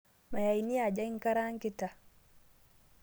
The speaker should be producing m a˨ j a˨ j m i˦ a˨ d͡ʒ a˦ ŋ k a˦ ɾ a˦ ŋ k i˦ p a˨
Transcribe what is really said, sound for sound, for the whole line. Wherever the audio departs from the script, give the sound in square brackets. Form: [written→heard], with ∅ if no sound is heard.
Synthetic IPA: m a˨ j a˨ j [m→n] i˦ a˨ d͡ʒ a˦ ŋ k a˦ ɾ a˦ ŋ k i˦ [p→t] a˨